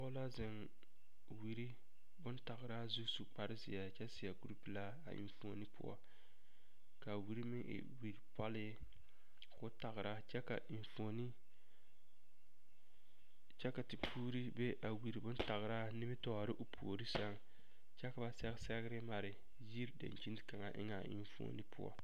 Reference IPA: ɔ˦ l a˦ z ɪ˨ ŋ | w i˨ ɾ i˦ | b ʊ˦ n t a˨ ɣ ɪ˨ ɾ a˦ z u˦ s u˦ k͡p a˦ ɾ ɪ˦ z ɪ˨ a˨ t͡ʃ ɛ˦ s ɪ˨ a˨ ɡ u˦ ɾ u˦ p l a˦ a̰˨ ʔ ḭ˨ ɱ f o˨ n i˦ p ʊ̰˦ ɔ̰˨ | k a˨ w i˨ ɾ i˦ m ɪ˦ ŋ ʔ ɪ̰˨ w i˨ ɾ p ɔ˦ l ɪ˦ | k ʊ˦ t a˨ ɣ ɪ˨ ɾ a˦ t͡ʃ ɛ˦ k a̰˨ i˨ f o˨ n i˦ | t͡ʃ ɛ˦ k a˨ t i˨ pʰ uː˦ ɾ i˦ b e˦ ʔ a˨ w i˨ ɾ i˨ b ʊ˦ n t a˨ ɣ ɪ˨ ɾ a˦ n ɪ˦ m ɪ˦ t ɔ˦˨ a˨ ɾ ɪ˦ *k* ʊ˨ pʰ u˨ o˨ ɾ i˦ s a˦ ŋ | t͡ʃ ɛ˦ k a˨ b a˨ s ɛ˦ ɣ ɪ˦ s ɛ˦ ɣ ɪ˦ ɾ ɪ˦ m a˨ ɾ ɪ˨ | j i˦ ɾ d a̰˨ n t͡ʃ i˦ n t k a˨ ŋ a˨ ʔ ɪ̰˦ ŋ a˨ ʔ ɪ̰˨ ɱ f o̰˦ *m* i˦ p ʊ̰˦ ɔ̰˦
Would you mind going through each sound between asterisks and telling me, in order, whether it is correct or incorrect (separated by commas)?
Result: incorrect, incorrect